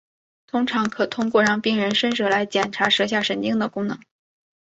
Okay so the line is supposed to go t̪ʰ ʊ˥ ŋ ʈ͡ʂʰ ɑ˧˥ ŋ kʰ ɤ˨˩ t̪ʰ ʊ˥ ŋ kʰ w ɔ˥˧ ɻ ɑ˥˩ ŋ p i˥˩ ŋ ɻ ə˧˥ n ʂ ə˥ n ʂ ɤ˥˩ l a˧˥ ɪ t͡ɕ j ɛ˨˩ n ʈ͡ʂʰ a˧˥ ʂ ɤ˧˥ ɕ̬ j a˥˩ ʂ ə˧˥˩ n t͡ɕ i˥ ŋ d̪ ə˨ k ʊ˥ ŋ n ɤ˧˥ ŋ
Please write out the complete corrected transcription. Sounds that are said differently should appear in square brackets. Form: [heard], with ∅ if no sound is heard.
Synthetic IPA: t̪ʰ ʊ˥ ŋ ʈ͡ʂʰ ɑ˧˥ ŋ kʰ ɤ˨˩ t̪ʰ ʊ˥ ŋ [k] w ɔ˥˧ ɻ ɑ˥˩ ŋ p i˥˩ ŋ ɻ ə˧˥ n ʂ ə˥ n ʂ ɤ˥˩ l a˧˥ ɪ t͡ɕ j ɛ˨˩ n ʈ͡ʂʰ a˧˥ ʂ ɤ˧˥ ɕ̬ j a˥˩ ʂ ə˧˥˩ n t͡ɕ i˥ ŋ d̪ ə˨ k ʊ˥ ŋ n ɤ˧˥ ŋ